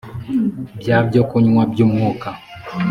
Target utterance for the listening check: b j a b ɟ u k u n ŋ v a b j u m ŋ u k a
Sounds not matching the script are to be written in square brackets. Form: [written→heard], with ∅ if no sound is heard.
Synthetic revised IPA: b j a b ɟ [u→o] k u [n→ɲ] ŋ [v→w] a b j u m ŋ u k a